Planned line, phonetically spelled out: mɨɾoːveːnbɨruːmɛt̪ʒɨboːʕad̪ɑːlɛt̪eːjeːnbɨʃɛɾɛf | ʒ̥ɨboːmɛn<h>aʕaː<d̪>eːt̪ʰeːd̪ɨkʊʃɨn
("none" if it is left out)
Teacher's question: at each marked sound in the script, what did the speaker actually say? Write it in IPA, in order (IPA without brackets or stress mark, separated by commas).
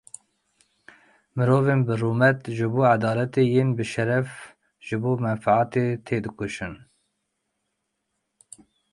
f, t̪